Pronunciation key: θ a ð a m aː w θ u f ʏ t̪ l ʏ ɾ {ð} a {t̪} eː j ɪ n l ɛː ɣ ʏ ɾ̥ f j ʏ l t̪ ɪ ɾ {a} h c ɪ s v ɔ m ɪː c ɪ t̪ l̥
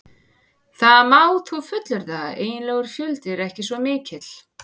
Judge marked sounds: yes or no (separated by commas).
yes, no, no